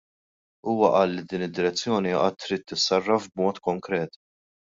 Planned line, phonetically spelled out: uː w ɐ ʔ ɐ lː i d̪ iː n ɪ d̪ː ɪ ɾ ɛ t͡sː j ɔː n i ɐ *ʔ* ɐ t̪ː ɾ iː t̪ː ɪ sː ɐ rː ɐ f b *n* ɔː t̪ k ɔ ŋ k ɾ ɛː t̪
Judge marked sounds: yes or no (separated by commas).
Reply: yes, no